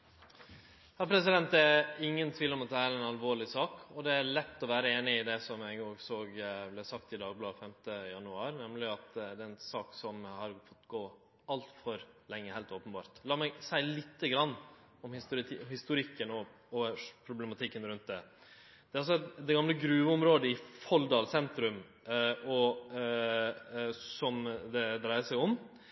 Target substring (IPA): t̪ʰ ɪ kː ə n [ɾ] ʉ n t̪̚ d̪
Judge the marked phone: correct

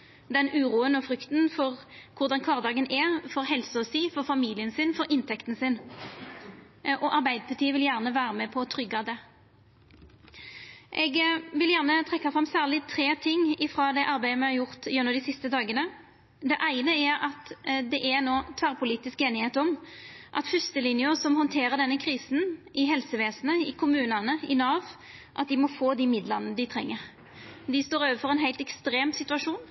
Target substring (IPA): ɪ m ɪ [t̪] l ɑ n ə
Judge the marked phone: incorrect: d̪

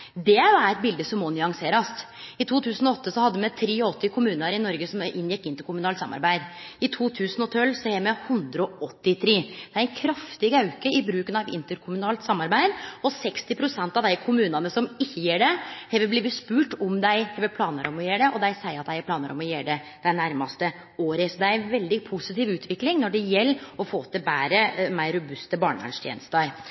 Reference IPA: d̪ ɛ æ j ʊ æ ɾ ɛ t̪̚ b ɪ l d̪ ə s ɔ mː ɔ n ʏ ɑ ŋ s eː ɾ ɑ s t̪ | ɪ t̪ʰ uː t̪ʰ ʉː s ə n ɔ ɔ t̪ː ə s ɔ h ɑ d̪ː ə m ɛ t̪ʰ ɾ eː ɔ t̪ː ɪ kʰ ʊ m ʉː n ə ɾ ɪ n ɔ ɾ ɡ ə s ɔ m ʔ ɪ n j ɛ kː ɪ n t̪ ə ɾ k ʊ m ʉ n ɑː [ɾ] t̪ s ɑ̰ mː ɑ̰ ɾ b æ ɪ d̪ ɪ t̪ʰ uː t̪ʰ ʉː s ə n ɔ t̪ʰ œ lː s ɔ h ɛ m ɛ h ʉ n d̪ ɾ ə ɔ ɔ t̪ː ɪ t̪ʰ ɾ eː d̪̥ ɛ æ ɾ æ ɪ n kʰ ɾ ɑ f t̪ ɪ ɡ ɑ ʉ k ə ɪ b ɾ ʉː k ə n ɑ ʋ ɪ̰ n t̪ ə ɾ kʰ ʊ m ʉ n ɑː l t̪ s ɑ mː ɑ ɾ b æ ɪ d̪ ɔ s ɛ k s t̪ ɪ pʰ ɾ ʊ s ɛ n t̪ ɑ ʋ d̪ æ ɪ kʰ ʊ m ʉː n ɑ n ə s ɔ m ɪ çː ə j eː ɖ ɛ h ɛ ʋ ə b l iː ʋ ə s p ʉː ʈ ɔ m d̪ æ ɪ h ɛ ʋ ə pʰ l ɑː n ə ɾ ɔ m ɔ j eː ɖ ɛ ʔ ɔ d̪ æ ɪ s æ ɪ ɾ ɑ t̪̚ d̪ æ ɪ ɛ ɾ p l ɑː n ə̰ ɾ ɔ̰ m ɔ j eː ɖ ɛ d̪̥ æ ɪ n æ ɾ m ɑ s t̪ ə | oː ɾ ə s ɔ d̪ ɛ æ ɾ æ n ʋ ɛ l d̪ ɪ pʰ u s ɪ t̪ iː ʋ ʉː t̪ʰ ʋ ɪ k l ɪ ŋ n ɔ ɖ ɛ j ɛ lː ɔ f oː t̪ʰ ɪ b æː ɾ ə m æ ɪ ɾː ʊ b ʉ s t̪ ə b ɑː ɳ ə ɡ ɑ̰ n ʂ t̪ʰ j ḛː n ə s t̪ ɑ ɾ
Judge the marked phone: incorrect: l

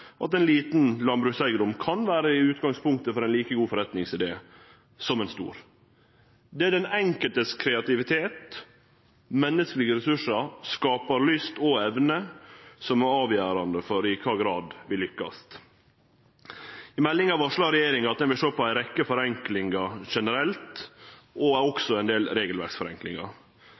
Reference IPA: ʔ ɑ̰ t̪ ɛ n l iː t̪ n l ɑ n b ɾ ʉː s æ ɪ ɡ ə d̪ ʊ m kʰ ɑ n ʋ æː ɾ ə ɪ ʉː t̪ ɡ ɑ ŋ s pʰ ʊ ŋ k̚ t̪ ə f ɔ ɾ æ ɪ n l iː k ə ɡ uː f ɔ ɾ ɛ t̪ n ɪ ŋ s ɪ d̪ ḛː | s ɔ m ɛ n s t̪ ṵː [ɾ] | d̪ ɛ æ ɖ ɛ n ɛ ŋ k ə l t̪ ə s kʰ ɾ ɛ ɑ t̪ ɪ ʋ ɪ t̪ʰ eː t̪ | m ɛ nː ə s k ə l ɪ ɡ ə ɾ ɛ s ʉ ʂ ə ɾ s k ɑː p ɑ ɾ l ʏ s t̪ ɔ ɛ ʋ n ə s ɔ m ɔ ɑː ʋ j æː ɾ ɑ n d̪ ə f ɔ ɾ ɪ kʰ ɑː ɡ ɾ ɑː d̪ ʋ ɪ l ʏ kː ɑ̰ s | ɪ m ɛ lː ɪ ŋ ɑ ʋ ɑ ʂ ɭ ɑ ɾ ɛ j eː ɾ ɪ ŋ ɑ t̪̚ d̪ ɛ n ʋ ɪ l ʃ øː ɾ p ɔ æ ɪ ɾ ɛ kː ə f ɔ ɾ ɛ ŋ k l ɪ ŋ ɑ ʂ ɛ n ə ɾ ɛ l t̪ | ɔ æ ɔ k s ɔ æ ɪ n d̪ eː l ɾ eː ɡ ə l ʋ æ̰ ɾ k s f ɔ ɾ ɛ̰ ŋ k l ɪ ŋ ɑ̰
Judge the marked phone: correct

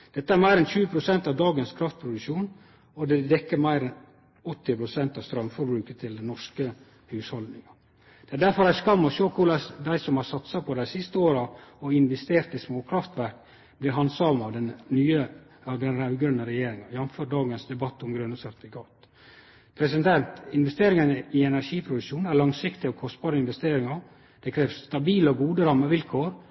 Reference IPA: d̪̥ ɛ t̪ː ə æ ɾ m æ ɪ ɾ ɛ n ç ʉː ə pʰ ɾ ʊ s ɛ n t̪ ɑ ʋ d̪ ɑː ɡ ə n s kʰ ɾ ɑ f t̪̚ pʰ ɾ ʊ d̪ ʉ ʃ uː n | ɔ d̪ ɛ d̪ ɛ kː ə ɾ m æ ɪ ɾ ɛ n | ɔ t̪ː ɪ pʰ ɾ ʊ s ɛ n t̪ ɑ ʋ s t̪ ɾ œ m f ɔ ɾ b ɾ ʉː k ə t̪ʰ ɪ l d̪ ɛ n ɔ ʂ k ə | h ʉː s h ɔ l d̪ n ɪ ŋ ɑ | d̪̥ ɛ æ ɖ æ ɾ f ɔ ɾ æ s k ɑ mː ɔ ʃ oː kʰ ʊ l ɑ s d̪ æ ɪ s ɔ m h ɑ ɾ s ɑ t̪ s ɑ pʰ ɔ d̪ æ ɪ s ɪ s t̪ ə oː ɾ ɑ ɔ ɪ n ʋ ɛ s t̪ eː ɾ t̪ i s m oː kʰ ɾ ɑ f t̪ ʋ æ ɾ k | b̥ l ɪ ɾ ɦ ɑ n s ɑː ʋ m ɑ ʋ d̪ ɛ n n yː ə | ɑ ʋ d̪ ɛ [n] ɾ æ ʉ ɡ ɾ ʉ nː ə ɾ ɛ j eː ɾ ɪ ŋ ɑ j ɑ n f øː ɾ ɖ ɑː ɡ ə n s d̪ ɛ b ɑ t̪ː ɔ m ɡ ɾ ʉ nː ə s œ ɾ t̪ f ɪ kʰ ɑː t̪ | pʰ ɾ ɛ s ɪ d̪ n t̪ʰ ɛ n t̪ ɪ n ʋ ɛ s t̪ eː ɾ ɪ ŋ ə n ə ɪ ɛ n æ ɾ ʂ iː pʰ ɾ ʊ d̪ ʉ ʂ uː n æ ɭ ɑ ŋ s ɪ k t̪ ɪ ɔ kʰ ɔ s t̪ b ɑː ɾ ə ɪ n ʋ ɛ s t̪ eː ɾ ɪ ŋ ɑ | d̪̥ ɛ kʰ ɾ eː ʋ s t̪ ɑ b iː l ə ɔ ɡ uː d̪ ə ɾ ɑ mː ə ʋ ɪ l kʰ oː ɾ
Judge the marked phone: correct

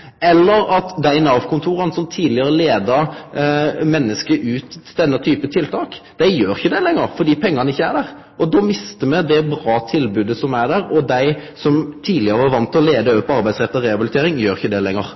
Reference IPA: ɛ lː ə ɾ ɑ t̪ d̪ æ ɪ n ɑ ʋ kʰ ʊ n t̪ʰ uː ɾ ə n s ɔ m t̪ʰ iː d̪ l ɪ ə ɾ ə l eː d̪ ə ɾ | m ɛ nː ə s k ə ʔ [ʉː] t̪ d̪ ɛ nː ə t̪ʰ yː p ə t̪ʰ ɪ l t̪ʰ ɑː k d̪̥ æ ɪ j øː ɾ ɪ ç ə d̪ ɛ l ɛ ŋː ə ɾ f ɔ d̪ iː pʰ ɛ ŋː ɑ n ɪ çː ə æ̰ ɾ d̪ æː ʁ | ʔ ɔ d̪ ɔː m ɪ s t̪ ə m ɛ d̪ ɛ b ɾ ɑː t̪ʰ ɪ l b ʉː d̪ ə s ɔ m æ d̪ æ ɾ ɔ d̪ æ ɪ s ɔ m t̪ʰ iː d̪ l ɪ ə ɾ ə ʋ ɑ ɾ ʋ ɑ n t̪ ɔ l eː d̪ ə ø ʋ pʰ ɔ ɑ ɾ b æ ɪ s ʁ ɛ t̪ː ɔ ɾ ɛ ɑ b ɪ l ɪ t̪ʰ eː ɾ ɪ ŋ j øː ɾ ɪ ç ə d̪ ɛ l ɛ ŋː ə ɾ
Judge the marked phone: correct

